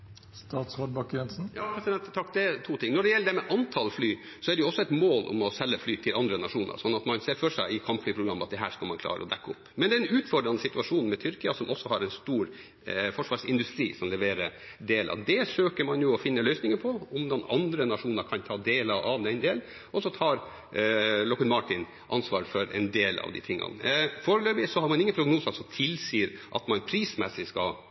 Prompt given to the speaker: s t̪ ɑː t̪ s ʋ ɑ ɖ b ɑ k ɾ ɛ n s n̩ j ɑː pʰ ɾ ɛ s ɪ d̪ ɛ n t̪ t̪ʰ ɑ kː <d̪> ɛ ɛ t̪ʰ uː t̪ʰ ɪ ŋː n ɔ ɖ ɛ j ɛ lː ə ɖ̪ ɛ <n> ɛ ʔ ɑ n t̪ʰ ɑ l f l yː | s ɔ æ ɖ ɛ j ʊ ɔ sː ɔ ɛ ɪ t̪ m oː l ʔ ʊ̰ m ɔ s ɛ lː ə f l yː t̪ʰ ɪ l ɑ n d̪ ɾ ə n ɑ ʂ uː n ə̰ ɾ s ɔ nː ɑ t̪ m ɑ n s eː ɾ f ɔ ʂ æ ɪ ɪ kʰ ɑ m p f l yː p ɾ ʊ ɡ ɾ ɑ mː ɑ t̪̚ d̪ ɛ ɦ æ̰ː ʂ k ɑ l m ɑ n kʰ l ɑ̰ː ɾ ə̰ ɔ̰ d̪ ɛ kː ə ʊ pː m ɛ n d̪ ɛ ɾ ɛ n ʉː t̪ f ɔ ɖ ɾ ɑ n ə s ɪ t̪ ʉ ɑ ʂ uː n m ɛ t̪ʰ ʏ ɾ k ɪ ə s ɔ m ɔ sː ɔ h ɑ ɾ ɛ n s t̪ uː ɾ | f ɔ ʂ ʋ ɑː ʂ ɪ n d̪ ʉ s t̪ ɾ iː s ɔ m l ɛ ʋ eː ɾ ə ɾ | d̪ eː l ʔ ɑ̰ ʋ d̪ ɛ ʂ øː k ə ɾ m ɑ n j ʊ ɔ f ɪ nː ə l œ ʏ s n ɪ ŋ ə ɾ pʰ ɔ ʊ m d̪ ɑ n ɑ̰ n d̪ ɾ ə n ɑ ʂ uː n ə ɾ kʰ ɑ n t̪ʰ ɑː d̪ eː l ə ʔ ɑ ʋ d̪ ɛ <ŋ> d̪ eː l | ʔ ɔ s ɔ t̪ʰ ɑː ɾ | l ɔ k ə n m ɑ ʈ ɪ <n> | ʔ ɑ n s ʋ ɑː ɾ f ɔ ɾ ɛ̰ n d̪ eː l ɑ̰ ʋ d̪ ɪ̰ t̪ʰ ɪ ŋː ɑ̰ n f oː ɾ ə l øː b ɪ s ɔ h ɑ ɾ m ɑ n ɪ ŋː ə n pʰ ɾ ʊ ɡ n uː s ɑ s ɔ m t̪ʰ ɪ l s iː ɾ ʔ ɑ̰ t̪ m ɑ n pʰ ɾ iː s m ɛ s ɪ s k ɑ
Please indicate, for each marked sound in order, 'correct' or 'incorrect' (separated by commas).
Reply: correct, incorrect, incorrect, correct